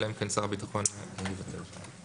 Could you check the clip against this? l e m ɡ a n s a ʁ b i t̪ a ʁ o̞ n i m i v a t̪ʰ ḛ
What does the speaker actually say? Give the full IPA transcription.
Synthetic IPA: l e m k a n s a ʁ b i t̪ a χ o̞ n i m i v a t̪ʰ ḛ

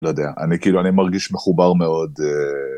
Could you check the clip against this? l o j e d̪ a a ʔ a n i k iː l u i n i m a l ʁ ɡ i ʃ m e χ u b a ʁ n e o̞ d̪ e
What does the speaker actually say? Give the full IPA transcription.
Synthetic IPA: l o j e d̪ e a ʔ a n i k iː l u a n i m a ʁ ɡ i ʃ m e χ u b a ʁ m e o̞ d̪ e

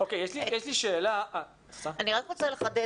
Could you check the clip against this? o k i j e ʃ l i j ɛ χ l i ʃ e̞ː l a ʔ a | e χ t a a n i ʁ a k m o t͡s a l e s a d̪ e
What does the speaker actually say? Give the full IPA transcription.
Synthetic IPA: o k e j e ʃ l i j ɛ ʃ l i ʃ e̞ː l a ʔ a | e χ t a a n i ʁ a k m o t͡s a l e χ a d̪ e

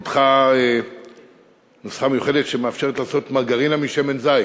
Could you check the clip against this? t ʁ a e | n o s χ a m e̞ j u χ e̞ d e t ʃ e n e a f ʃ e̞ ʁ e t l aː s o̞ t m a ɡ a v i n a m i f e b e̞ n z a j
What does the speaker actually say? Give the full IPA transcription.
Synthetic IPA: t χ a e | n o s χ a m e̞ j u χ e̞ d e t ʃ e m e a f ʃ e̞ ʁ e t l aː s o̞ t m a ɡ a ʁ i n a m i ʃ e m e̞ n z a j

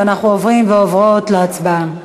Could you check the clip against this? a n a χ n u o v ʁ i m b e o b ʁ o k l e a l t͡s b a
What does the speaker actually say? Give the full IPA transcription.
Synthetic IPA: a n a χ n u o v ʁ i m v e o v ʁ o t l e a t͡s b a

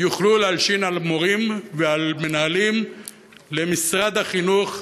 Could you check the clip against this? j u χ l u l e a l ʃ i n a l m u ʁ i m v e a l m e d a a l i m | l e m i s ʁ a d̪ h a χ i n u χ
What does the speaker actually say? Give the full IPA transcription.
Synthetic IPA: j u χ l u l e a l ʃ i n a l m o ʁ i m v e a l m e n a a l i m | l e m i s ʁ a d̪ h a χ i n u χ

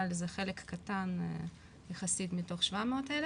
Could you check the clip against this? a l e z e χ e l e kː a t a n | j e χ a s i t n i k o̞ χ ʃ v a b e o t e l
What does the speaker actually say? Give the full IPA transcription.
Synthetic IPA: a l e z e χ e l e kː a t a n | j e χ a s i t m i t o̞ χ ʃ v a m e o t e l

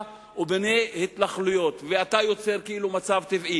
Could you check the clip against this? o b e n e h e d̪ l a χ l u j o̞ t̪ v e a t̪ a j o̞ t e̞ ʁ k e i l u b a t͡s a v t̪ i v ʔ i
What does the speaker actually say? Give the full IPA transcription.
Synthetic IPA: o b e n e h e t̪ l a χ l u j o̞ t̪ v e a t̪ a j o̞ t͡s e̞ ʁ k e i l u m a t͡s a v t̪ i v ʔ i

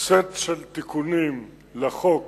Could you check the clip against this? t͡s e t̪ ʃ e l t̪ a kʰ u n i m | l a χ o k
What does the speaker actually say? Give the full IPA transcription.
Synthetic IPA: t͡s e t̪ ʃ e l t̪ i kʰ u n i m | l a χ o k

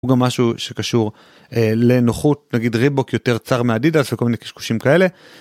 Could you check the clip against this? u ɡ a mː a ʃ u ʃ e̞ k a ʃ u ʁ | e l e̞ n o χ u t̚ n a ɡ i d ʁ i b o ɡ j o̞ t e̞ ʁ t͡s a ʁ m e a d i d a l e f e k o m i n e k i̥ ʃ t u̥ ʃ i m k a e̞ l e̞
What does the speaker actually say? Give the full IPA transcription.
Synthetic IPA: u ɡ a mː a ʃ u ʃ e̞ k a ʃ u ʁ | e l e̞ n o χ u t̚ n a ɡ i d ʁ i b o k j o̞ t e̞ ʁ t͡s a ʁ m e a d i d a l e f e k o m i n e k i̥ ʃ k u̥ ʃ i m k a e̞ l e̞

